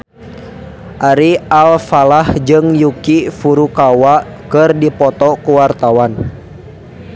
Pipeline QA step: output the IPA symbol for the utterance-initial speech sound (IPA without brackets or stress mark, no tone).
ʔ